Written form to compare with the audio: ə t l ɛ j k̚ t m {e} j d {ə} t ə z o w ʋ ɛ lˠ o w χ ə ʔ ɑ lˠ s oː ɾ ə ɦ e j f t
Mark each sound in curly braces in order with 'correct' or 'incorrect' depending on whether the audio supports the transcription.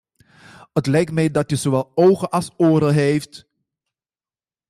incorrect: ɛ, incorrect: ɑ

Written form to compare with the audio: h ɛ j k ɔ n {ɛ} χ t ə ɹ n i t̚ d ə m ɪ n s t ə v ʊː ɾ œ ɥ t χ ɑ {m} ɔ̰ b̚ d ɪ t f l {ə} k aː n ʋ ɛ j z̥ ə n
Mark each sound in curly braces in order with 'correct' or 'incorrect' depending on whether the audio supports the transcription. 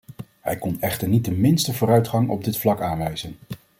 correct, incorrect: ŋ, incorrect: ɑ

